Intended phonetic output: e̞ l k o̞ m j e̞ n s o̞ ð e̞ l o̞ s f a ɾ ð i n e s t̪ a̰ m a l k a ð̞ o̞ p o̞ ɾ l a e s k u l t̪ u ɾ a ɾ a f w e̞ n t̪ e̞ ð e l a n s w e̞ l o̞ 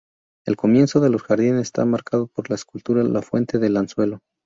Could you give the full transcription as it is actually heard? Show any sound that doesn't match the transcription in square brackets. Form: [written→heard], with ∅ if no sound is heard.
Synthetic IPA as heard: e̞ l k o̞ m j e̞ n s o̞ ð e̞ l o̞ s [f→x] a ɾ ð i n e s t̪ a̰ m a [l→ɾ] k a ð̞ o̞ p o̞ ɾ l a e s k u l t̪ u ɾ a [ɾ→l] a f w e̞ n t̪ e̞ ð e l a n s w e̞ l o̞